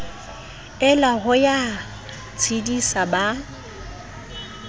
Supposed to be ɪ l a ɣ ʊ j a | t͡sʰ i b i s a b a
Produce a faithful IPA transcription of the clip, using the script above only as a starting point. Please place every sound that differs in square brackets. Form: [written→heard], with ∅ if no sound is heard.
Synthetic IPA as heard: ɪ l a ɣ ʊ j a | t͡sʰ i [b→d] i s a b a